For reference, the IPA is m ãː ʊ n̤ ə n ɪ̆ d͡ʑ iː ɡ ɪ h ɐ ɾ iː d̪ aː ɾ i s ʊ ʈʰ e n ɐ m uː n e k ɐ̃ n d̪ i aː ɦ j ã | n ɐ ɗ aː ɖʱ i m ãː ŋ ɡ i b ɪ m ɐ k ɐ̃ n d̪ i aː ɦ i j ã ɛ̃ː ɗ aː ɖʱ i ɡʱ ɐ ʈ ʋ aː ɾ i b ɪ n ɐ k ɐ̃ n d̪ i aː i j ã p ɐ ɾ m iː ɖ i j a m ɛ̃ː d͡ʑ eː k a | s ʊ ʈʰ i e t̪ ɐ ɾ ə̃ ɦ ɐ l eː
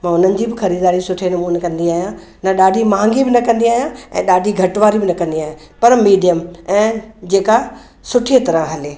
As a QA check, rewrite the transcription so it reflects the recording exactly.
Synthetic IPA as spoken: m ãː ʊ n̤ ə n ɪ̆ d͡ʑ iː b ɪ x ɐ ɾ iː d̪ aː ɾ i s ʊ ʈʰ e n ɐ m uː n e k ɐ̃ n d̪ i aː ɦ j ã | n ɐ ɗ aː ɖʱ i m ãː ŋ ɡ i b ɪ n ɐ k ɐ̃ n d̪ i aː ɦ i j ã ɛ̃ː ɗ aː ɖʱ i ɡʱ ɐ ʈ ʋ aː ɾ i b ɪ n ɐ k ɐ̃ n d̪ i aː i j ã p ɐ ɾ m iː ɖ i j ə m ɛ̃ː d͡ʑ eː k a | s ʊ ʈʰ i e t̪ ɐ ɾ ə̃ ɦ ɐ l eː